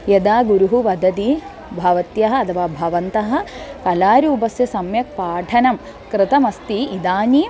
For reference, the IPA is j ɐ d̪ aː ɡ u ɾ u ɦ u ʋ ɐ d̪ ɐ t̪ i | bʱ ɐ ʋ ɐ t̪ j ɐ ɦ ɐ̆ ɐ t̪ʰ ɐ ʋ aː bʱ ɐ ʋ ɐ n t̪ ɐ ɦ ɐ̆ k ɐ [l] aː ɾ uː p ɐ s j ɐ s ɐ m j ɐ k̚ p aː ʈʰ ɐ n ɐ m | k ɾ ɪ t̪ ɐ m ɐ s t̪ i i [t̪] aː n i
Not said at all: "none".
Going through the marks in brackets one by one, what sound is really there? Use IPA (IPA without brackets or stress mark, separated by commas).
l, d̪